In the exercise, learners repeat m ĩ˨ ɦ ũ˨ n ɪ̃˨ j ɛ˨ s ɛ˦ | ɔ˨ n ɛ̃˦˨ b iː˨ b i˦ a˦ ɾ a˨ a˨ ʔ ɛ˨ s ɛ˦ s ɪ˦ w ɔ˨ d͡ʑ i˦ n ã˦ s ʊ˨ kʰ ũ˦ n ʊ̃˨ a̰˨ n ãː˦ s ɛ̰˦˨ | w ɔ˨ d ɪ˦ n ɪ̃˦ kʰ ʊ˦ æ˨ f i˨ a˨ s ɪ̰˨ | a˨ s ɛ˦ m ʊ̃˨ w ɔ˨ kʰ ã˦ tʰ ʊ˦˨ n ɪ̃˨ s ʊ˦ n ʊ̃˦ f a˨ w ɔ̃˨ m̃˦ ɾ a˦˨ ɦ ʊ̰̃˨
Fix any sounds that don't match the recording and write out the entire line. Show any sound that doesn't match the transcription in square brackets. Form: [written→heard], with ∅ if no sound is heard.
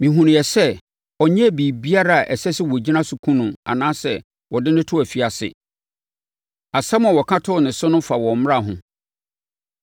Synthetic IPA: m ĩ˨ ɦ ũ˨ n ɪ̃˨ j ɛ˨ s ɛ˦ | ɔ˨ [n→ɲ] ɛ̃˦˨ b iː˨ b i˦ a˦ ɾ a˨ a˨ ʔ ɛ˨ s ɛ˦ s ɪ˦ w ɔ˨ d͡ʑ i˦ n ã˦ s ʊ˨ kʰ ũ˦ n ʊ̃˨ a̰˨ n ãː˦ s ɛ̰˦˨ | w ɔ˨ d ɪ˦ n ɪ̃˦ [kʰ→tʰ] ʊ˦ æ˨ f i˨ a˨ s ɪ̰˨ | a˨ s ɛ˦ m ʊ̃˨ w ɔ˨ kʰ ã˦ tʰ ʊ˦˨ n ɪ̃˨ s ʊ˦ n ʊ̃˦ f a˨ w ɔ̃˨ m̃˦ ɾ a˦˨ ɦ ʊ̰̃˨